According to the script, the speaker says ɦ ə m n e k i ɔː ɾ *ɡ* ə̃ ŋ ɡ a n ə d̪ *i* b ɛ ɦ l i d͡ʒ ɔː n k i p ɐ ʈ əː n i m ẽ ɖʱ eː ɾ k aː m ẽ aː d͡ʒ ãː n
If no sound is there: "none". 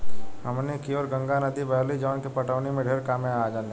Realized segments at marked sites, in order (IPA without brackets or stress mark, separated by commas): ɡ, i